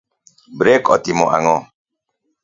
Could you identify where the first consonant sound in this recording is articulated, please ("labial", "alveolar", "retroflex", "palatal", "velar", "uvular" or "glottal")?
labial